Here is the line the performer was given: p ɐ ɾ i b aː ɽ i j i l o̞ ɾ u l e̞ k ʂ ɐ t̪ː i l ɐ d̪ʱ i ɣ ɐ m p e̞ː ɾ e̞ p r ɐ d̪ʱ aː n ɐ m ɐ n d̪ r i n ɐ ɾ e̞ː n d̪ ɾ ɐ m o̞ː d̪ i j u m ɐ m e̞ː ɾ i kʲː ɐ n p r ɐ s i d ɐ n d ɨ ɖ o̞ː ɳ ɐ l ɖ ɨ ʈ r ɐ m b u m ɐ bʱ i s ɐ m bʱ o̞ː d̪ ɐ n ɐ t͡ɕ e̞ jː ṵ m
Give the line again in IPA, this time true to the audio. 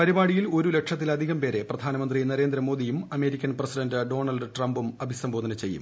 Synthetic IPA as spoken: p ɐ ɾ i b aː ɽ i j i l o̞ ɾ u l e̞ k ʂ ɐ t̪ː i l ɐ d̪ʱ i ɣ ɐ m p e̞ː ɾ e̞ p r ɐ d̪ʱ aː n ɐ m ɐ n d̪ r i n ɐ ɾ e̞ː n d̪ ɾ ɐ m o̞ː d̪ i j u m ɐ m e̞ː ɾ i kʲː ɐ n p r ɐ s i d ɐ n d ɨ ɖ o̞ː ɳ ɐ l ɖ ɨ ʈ r ɐ m b u m ɐ bʱ i s ɐ m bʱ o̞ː d̪ ɐ n ɐ t͡ɕ e̞ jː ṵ m